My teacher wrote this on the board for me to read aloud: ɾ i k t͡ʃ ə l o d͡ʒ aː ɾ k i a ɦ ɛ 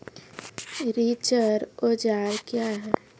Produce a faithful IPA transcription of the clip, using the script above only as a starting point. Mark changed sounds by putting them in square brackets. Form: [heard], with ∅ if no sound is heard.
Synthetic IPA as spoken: ɾ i [∅] t͡ʃ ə [ɾ] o d͡ʒ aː ɾ k [j] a ɦ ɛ